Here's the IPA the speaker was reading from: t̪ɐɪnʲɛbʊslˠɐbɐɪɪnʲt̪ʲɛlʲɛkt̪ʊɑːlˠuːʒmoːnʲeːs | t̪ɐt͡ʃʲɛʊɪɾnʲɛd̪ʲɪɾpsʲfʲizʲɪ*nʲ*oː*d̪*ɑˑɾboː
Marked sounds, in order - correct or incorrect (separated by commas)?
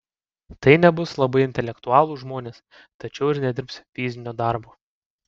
correct, correct